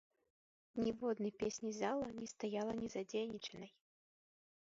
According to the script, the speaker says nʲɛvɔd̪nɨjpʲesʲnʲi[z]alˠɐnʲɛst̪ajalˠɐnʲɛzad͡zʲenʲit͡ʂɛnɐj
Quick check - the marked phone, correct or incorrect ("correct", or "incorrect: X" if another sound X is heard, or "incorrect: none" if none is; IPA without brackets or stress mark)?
correct